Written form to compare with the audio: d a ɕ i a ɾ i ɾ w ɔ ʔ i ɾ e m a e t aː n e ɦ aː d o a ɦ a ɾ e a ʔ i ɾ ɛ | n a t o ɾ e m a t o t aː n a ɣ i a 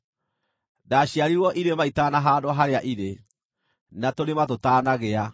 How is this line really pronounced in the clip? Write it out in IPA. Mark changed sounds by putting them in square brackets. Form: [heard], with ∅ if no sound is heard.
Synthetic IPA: d a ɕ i a ɾ i ɾ w ɔ ʔ i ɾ e m a [i] t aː n [a] ɦ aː d o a ɦ a ɾ e a ʔ i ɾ [e] | n a t o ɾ e m a t o t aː n a ɣ [e] a

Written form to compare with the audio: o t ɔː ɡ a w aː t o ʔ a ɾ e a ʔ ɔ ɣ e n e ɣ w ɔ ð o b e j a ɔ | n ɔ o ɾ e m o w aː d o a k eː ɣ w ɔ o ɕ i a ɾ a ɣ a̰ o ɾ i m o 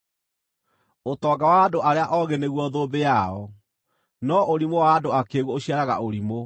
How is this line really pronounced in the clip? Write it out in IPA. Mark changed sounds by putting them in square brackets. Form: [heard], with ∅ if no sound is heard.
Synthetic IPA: o t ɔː ɡ a w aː [d] o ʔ a ɾ e a ʔ ɔ ɣ e n e ɣ w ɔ ð o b e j a ɔ | n ɔ o ɾ [i] m o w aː d o a k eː ɣ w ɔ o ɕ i a ɾ a ɣ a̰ o ɾ i m o

